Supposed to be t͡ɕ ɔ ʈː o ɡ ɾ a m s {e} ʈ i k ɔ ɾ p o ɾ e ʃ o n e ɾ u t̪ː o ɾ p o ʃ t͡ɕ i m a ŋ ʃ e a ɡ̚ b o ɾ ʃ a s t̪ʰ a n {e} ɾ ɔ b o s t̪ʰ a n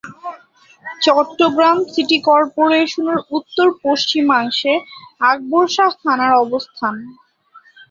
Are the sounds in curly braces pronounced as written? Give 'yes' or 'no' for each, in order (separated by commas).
no, no